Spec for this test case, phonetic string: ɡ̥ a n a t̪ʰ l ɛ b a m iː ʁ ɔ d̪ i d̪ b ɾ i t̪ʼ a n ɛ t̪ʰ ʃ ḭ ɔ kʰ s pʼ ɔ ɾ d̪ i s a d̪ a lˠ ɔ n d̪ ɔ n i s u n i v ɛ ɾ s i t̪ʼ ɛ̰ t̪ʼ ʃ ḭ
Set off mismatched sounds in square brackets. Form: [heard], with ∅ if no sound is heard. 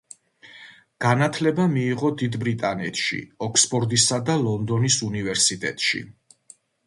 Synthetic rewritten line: ɡ̥ a n a t̪ʰ l ɛ b a m iː ʁ ɔ d̪ i d̪ b ɾ i t̪ʼ a n ɛ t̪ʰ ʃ ḭ ɔ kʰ s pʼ ɔ ɾ d̪ i s a d̪ a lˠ ɔ n d̪ ɔ n i s u n i v ɛ ɾ s i t̪ʼ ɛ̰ t̪ʼ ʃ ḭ

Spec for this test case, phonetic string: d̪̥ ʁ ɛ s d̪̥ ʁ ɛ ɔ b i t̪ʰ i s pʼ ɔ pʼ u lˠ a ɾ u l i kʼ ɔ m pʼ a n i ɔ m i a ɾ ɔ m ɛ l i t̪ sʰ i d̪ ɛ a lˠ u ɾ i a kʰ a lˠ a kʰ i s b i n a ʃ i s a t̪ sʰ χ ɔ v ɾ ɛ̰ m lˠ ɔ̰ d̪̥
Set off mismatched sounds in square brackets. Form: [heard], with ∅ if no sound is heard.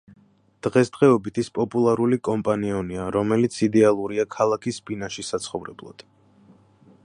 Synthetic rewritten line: d̪̥ ʁ ɛ s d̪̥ ʁ ɛ ɔ b i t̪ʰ i s pʼ ɔ pʼ u lˠ a ɾ u l i kʼ ɔ m pʼ a n i ɔ [n] i a ɾ ɔ m ɛ l i t̪ sʰ i d̪ ɛ a lˠ u ɾ i a kʰ a lˠ a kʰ i s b i n a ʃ i s a t̪ sʰ χ ɔ v ɾ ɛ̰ [b] lˠ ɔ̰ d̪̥

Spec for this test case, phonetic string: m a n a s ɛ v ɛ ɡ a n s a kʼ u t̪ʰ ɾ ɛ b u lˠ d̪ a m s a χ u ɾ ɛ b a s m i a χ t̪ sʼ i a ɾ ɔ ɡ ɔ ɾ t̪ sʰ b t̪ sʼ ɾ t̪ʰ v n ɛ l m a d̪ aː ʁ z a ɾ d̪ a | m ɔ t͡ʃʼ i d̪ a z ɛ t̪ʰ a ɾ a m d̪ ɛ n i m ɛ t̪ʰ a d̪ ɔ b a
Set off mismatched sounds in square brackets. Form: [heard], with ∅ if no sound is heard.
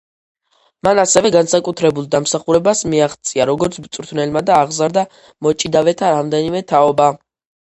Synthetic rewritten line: m a n a s ɛ v ɛ ɡ a n s a kʼ u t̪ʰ ɾ ɛ b u lˠ d̪ a m s a χ u ɾ ɛ b a s m i a χ t̪ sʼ i a ɾ ɔ ɡ ɔ ɾ t̪ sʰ b t̪ sʼ ɾ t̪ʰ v n ɛ l m a d̪ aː ʁ z a ɾ d̪ a | m ɔ t͡ʃʼ i d̪ a [v] ɛ t̪ʰ a ɾ a m d̪ ɛ n i m ɛ t̪ʰ a [∅] ɔ b a

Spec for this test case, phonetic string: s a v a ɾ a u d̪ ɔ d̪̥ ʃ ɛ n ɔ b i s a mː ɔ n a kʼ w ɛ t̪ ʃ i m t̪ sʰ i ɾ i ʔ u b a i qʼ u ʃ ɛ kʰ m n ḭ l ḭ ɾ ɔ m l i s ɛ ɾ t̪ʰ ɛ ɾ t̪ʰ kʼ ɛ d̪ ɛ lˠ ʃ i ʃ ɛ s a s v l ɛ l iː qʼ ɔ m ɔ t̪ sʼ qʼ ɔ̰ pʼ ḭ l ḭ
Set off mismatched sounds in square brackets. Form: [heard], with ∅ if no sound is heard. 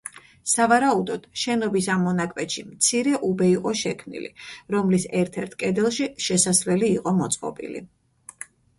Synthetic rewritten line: s a v a ɾ a u d̪ ɔ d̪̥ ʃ ɛ n ɔ b i s a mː ɔ n a kʼ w ɛ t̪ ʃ i m t̪ sʰ i ɾ [ɛ] ʔ u b [ɛ] i qʼ [ɔ] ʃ ɛ kʰ m n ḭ l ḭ ɾ ɔ m l i s ɛ ɾ t̪ʰ ɛ ɾ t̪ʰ kʼ ɛ d̪ ɛ lˠ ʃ i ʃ ɛ s a s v l ɛ l iː qʼ ɔ m ɔ t̪ sʼ qʼ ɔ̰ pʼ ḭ l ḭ

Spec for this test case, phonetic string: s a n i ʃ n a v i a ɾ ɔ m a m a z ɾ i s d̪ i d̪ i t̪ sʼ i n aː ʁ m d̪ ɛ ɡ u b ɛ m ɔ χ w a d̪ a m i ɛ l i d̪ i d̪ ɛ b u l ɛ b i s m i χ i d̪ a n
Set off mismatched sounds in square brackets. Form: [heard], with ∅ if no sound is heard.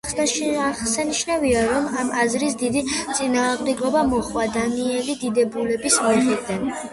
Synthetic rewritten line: s a n i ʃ n a v i a ɾ ɔ m a m a z ɾ i s d̪ i d̪ i t̪ sʼ i n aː ʁ m d̪ ɛ ɡ [ɔ] b [a] m ɔ χ w a d̪ a [n] i ɛ l i d̪ i d̪ ɛ b u l ɛ b i s m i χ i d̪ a n

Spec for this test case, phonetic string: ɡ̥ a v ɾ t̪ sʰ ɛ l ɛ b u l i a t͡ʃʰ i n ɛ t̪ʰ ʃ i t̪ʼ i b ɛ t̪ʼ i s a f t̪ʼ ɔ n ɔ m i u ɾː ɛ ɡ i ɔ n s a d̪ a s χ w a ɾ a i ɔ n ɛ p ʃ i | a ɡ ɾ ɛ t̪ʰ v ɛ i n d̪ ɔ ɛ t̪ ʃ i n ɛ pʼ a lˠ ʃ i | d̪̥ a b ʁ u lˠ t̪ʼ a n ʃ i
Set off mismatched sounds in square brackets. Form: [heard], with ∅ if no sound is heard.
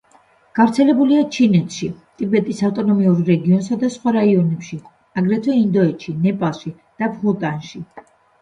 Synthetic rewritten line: ɡ̥ a v ɾ t̪ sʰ ɛ l ɛ b u l i a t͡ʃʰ i n ɛ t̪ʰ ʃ i t̪ʼ i b ɛ t̪ʼ i s a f t̪ʼ ɔ n ɔ m i u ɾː ɛ ɡ i ɔ n s a d̪ a s χ w a ɾ a i ɔ n ɛ p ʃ i | a ɡ ɾ ɛ t̪ʰ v ɛ i n d̪ ɔ ɛ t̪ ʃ i n ɛ pʼ a lˠ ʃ i | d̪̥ a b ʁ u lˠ t̪ʼ a n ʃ i

